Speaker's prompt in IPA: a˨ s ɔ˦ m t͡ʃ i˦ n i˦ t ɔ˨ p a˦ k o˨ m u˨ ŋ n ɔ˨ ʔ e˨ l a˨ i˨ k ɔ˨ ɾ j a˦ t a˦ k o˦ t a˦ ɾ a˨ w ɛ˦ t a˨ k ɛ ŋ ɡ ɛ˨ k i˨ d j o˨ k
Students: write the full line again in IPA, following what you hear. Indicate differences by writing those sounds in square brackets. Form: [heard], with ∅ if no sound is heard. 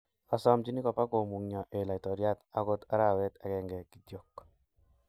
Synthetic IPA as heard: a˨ s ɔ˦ m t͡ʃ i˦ n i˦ [k] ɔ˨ p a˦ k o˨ m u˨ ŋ [ɲ] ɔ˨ ʔ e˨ l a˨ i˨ [t] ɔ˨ ɾ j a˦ t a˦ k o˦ t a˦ ɾ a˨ w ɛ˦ t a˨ k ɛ ŋ ɡ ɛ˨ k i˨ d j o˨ k